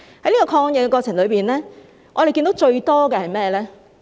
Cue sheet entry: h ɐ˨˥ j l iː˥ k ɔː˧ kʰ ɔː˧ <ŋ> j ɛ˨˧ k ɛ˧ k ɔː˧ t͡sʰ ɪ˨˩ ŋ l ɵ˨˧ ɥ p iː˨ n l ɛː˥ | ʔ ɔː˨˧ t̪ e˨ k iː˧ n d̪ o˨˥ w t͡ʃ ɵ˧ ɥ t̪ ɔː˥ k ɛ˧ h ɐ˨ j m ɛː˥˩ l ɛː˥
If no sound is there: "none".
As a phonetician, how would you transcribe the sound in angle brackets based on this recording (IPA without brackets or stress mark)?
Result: ŋ